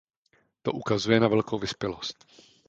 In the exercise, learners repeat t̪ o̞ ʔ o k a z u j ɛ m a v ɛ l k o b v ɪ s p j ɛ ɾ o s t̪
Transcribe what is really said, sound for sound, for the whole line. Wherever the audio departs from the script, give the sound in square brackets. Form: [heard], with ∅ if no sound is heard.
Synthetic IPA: t̪ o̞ ʔ [u] k a z u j ɛ [n] a v ɛ l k o [w] v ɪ s p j ɛ [l] o s t̪